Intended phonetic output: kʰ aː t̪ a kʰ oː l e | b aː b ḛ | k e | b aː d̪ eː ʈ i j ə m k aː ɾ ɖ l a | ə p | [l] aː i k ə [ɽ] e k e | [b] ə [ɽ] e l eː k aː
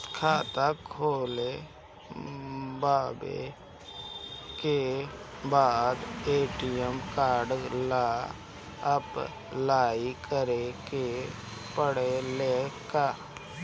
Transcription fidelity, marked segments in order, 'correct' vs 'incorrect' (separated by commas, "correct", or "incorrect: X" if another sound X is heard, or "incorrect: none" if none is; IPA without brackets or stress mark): correct, incorrect: ɾ, incorrect: p, correct